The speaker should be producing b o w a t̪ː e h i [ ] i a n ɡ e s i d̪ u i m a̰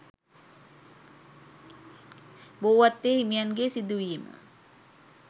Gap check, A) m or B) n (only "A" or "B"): A